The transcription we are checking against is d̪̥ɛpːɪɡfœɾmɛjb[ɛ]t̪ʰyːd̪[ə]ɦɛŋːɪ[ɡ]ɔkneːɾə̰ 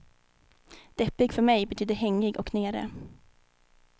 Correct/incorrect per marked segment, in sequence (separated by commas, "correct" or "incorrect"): correct, correct, correct